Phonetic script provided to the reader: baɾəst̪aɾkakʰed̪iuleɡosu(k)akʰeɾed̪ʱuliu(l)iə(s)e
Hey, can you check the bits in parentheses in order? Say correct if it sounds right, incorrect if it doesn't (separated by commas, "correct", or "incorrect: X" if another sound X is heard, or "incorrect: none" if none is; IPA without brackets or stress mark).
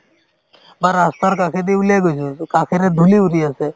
correct, incorrect: ɾ, correct